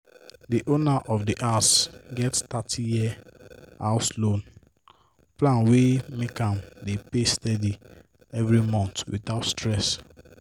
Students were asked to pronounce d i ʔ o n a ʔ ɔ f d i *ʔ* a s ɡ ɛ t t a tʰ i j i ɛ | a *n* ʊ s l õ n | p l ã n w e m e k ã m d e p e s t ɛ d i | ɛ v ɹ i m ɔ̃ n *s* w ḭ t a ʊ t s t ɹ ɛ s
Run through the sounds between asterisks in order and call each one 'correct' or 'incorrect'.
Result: correct, incorrect: none, incorrect: t

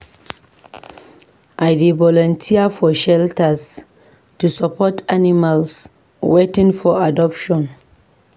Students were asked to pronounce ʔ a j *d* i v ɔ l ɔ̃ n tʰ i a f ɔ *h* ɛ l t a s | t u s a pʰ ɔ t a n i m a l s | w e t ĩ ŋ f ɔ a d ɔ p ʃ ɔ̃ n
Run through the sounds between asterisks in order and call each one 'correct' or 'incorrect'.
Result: correct, incorrect: ʃ

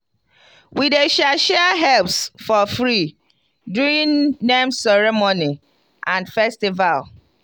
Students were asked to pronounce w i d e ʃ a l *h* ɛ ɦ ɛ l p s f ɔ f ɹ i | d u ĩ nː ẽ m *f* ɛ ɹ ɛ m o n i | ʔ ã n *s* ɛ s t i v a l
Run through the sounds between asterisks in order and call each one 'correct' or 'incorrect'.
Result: incorrect: ʃ, incorrect: s, incorrect: f

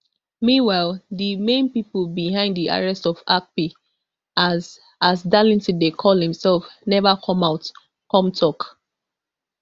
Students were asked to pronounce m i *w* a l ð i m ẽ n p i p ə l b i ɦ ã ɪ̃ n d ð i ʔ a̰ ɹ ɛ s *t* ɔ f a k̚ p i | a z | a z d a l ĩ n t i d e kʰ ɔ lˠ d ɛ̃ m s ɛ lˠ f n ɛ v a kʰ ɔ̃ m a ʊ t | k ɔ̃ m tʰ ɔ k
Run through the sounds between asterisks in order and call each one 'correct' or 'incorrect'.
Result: correct, correct

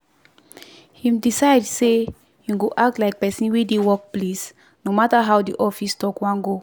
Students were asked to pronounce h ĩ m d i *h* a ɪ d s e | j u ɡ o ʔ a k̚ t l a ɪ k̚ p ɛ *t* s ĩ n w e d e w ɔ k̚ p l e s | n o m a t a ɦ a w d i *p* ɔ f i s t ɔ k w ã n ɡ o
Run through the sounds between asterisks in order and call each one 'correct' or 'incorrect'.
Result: incorrect: s, incorrect: none, incorrect: ʔ

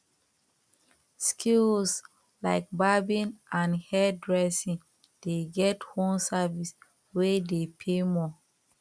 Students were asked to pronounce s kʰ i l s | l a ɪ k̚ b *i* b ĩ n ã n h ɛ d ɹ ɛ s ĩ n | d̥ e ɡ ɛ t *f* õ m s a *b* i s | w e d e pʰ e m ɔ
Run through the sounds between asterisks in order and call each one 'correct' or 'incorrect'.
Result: incorrect: a, incorrect: h, incorrect: v

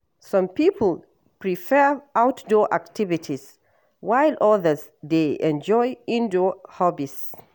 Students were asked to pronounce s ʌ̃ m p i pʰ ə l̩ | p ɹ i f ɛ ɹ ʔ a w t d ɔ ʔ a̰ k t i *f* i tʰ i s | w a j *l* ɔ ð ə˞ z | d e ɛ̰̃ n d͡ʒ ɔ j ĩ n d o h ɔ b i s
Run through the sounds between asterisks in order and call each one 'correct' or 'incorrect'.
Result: incorrect: v, correct

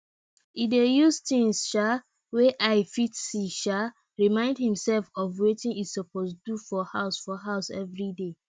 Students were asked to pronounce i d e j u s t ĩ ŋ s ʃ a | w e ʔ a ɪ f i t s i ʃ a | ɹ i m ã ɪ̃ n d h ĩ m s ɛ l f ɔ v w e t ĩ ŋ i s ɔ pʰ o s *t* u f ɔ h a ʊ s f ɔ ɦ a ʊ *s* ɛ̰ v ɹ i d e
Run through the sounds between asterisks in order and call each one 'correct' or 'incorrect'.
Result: incorrect: d, correct

